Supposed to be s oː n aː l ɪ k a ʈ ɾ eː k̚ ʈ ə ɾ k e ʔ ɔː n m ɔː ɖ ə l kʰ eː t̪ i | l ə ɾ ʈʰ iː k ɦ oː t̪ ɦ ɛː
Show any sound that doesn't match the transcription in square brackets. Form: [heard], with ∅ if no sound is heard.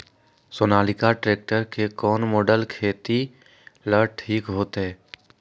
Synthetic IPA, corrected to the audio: s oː n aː l ɪ k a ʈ ɾ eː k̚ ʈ ə ɾ k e [k] ɔː n m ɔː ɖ ə l kʰ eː t̪ i | l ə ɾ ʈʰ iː k ɦ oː t̪ ɦ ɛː